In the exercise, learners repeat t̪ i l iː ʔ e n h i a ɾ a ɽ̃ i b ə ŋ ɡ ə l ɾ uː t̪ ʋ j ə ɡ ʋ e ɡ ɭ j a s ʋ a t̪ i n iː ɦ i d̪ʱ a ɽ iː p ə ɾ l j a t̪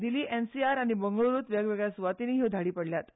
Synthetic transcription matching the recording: d̪ i l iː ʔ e n s i a ɾ a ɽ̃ i b ə ŋ ɡ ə ɭ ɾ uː t̪ ʋ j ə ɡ ʋ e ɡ ɭ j a s ʋ a t̪ i n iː ɦ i d̪ʱ a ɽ iː p ə ɽ l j a t̪